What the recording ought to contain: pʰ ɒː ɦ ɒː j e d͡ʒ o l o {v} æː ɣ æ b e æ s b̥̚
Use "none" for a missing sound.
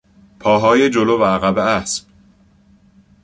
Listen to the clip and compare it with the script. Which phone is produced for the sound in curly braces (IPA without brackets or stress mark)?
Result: v